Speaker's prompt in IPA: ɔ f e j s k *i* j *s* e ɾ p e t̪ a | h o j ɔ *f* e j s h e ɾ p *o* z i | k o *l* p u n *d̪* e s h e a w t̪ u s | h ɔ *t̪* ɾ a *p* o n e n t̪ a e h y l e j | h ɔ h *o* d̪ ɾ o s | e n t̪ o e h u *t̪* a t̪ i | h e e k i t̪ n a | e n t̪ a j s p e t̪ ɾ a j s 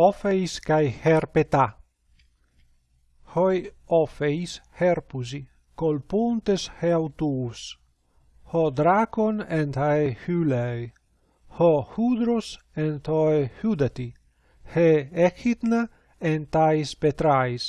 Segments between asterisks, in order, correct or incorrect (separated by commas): incorrect, incorrect, correct, incorrect, correct, incorrect, incorrect, incorrect, incorrect, incorrect